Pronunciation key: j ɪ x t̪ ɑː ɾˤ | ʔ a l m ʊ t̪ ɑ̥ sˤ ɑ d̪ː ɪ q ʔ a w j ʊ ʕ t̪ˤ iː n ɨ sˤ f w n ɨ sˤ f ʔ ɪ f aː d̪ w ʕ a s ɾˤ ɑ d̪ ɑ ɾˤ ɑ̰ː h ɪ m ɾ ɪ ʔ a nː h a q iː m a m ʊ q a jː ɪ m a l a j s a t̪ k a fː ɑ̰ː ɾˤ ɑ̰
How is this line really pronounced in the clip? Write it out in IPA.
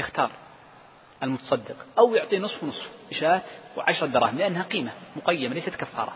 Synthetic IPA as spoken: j ɪ x t̪ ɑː ɾˤ | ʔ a l m ʊ t̪ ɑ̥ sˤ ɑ d̪ː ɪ q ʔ a w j ʊ ʕ t̪ˤ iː n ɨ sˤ f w n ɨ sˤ f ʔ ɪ ʃ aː t̪ w ʕ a ʃ ɾˤ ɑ d̪ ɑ ɾˤ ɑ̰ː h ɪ m l ɪ ʔ a nː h a q iː m a m ʊ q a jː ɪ m a l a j s a t̪ k a fː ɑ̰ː ɾˤ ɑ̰